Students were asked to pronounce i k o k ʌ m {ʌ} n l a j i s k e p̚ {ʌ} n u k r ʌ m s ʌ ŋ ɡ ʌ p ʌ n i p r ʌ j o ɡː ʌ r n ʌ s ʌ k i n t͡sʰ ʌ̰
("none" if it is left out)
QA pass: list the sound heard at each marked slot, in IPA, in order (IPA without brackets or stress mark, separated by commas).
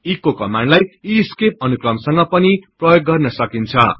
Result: a, ʌ